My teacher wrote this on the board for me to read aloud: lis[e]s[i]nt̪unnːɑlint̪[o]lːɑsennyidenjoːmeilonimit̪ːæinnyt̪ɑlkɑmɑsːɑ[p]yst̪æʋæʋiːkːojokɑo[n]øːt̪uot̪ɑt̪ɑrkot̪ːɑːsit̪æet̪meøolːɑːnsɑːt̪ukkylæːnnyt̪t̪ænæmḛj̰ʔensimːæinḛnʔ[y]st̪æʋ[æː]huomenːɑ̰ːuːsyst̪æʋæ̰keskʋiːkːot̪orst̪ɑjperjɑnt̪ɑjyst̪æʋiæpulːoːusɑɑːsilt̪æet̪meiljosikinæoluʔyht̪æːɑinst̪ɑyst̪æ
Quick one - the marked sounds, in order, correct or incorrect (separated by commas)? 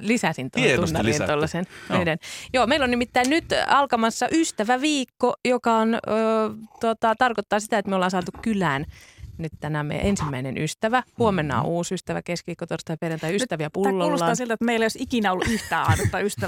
incorrect, correct, correct, incorrect, correct, correct, incorrect